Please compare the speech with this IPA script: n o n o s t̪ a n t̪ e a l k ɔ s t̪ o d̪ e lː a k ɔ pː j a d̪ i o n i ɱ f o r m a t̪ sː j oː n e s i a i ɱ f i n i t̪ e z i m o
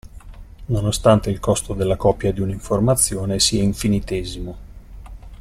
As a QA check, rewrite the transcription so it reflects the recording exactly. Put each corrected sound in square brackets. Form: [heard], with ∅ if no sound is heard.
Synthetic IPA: n o n o s t̪ a n t̪ e [i] l k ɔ s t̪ o d̪ e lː a k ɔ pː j a d̪ i [u] n i ɱ f o r m a t̪ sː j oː n e s i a i ɱ f i n i t̪ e z i m o